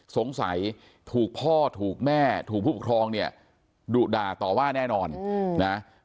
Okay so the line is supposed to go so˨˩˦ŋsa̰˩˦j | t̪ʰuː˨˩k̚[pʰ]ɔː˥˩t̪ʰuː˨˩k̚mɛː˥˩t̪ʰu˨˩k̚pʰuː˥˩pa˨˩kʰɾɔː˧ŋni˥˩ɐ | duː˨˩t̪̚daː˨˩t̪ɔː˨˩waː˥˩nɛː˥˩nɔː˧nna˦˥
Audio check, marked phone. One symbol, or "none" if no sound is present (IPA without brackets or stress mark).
pʰ